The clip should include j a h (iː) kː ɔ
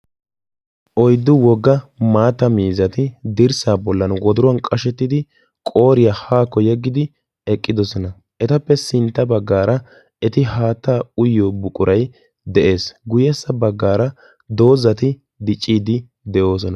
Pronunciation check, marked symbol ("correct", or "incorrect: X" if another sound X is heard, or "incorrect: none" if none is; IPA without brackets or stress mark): incorrect: aː